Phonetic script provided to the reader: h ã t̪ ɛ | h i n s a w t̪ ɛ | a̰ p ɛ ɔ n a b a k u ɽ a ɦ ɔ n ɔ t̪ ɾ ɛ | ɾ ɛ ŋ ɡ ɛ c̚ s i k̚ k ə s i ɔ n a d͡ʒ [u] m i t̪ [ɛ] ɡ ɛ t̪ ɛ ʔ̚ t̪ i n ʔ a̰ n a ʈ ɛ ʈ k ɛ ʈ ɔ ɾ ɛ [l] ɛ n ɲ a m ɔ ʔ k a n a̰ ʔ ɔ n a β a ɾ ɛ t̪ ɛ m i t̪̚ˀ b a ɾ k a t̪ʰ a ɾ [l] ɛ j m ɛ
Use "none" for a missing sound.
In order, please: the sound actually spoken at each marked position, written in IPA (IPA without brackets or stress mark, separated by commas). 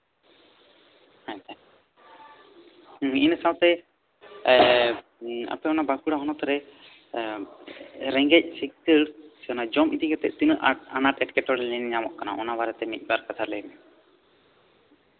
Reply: ɔ, i, l, l